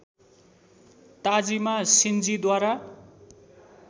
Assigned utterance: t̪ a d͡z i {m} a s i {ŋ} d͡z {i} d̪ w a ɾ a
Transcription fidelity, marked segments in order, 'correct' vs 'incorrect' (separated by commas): correct, incorrect, correct